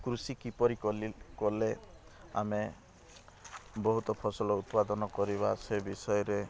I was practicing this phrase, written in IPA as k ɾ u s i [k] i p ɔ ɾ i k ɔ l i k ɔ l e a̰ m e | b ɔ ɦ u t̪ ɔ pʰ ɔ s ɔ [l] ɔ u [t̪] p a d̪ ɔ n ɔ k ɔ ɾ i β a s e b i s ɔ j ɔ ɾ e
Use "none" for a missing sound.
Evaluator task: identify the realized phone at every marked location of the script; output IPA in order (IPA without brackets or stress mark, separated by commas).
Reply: k, l, t̪